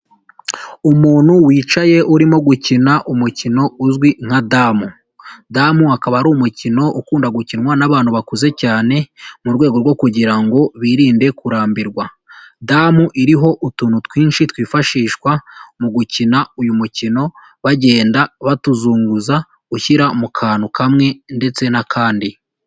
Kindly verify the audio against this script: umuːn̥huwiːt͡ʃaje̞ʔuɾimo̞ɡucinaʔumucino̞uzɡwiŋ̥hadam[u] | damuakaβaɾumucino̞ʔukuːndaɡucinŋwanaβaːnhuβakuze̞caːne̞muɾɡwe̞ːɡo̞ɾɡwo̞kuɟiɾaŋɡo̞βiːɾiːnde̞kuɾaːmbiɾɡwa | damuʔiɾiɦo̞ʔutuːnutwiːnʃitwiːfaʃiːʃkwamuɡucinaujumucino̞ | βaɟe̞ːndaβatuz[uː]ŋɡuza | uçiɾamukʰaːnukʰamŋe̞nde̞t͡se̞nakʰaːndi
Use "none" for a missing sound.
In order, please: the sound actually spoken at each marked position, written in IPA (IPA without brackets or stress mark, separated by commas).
u, uː